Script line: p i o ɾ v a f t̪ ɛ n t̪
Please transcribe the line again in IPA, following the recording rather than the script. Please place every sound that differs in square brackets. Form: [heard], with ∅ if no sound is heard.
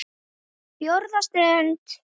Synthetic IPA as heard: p [j] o ɾ [ð] a [s] t̪ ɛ n t̪